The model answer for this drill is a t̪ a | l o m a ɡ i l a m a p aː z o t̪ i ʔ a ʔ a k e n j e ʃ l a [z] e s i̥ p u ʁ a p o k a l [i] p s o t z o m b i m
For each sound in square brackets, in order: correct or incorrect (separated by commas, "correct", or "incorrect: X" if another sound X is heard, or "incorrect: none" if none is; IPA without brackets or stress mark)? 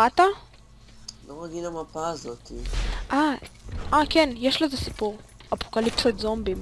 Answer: correct, correct